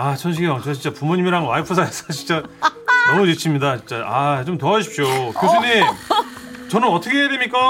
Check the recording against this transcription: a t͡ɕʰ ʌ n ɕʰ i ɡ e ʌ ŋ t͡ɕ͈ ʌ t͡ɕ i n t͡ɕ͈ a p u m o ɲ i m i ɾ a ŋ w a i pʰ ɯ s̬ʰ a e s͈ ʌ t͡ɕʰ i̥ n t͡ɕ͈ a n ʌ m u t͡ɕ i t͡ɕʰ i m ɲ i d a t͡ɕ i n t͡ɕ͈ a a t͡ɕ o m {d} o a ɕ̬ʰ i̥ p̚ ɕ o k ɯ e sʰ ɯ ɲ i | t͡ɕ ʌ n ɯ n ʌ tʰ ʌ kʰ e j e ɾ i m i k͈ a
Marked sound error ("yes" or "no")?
yes